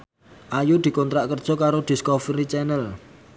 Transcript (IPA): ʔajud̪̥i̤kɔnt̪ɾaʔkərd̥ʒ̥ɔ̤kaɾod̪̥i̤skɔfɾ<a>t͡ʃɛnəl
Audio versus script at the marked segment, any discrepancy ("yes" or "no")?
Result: yes